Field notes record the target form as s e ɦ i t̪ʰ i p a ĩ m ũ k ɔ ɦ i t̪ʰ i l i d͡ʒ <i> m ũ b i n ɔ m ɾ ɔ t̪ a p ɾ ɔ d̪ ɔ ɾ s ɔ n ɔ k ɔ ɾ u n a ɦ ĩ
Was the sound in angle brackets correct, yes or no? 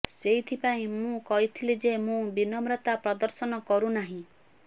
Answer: no